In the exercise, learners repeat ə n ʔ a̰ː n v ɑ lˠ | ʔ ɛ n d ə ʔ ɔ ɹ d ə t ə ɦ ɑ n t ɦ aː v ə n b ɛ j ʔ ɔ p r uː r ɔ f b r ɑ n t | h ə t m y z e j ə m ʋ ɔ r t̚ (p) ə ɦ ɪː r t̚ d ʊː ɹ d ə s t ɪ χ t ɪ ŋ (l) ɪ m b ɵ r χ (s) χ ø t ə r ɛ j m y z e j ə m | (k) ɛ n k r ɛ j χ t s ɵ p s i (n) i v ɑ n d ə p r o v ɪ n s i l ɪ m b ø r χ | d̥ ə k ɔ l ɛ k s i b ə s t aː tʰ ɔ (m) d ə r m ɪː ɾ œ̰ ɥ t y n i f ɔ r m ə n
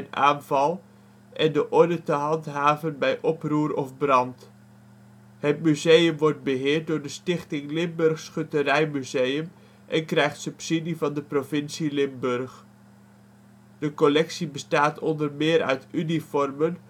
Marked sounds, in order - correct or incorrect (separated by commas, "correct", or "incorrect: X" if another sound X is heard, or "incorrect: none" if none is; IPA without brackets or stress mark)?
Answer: incorrect: b, correct, correct, incorrect: ʔ, incorrect: d, incorrect: n